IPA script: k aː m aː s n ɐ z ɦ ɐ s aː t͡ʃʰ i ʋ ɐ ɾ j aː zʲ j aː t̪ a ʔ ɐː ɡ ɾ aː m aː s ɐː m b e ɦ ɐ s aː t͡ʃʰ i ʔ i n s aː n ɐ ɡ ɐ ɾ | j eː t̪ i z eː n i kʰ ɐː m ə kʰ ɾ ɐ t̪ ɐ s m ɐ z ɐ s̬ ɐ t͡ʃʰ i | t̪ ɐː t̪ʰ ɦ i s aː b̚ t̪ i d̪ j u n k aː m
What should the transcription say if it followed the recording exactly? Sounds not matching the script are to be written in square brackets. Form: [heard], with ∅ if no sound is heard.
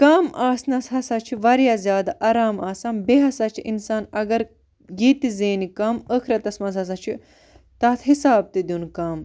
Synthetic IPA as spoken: k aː m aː s n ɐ [s] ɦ ɐ s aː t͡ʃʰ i ʋ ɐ ɾ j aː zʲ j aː [d̪] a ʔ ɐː [∅] ɾ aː m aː s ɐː m b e ɦ ɐ s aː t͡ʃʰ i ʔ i n s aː n ɐ ɡ ɐ ɾ | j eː t̪ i z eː n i [k] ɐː m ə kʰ ɾ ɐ t̪ ɐ s m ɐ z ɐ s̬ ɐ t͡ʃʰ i | t̪ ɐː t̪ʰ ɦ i s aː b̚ t̪ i d̪ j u n k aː m